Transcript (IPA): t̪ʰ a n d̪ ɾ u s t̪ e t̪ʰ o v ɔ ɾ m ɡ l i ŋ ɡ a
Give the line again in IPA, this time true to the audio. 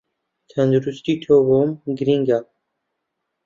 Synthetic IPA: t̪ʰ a n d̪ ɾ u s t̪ i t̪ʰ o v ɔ m ɡ ɾ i ŋ ɡ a